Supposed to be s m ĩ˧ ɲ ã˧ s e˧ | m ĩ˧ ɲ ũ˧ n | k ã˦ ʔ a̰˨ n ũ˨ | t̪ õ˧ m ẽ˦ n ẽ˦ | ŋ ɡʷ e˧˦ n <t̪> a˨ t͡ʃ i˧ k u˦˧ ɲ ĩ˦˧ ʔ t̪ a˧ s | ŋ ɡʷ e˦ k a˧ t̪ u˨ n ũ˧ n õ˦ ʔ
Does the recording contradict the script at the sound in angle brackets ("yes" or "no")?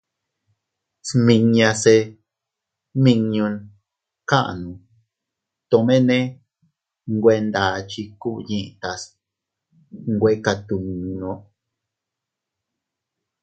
yes